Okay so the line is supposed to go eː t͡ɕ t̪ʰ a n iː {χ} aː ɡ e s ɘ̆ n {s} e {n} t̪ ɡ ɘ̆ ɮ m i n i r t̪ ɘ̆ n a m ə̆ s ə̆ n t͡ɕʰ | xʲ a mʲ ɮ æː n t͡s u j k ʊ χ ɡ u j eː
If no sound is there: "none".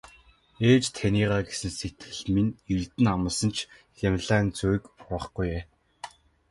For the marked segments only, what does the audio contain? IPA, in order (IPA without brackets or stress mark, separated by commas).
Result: ʁ, s, none